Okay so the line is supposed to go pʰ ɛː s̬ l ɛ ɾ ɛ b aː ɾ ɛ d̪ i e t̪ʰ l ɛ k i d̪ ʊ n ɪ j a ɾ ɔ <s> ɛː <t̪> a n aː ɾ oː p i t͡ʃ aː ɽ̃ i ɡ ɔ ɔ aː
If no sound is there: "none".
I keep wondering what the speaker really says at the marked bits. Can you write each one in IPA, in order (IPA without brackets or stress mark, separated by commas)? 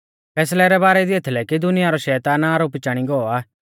ʃ, t̪